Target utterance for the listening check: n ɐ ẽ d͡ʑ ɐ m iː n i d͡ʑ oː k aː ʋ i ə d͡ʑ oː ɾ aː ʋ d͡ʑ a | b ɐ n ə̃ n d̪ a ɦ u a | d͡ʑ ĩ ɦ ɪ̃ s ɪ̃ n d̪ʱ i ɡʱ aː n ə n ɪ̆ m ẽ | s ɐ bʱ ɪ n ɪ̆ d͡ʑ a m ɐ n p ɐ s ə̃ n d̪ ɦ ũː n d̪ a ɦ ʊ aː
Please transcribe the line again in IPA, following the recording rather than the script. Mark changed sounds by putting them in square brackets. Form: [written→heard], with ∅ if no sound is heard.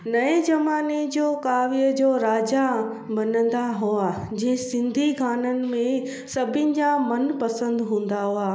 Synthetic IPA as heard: n ɐ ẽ d͡ʑ ɐ m [iː→aː] n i d͡ʑ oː k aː ʋ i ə d͡ʑ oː ɾ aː [ʋ→∅] d͡ʑ a | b ɐ n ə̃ n d̪ a ɦ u a | d͡ʑ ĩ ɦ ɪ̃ s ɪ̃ n d̪ʱ i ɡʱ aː n ə n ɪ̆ m ẽ | s ɐ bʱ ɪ n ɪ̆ d͡ʑ a m ɐ n p ɐ s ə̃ n d̪ ɦ ũː n d̪ a ɦ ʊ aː